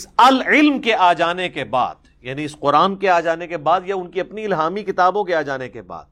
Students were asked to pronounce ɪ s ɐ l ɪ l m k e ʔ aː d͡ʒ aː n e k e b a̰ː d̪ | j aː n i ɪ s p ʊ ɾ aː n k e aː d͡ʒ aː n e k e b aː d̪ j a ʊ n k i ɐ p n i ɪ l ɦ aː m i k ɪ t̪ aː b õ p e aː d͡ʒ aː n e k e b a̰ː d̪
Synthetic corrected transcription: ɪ s ɐ l ɪ l m k e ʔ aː d͡ʒ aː n e k e b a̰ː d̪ | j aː n i ɪ s q ʊ ɾ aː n k e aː d͡ʒ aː n e k e b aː d̪ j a ʊ n k i ɐ p n i ɪ l ɦ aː m i k ɪ t̪ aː b õ k e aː d͡ʒ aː n e k e b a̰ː d̪